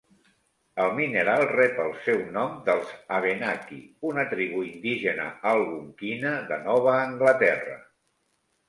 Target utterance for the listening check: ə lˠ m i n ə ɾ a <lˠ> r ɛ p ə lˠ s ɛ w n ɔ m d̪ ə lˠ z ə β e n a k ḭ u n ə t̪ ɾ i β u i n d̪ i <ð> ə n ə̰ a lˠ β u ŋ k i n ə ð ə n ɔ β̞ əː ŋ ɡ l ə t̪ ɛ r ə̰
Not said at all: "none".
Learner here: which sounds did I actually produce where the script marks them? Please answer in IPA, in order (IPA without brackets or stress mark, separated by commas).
lˠ, ʒ